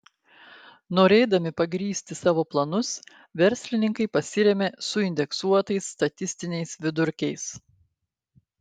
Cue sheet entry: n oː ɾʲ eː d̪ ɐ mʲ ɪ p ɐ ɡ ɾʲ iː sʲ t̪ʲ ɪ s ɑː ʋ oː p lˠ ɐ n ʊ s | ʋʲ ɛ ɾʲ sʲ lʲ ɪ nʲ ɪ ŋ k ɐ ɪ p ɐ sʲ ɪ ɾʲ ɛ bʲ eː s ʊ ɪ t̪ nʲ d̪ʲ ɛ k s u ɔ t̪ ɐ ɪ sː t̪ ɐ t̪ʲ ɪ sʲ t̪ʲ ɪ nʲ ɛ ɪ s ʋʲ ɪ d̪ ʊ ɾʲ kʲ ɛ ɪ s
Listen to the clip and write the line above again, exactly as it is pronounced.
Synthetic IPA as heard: n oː ɾʲ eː d̪ ɐ mʲ ɪ p ɐ ɡ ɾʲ iː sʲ t̪ʲ ɪ s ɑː ʋ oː p lˠ ɐ n ʊ s | ʋʲ ɛ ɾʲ sʲ lʲ ɪ nʲ ɪ ŋ k ɐ ɪ p ɐ sʲ ɪ ɾʲ ɛ mʲ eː s ʊ ɪ nʲ d̪ʲ ɛ k s u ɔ t̪ ɐ ɪ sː t̪ ɐ t̪ʲ ɪ sʲ t̪ʲ ɪ nʲ ɛ ɪ s ʋʲ ɪ d̪ ʊ ɾʲ kʲ ɛ ɪ s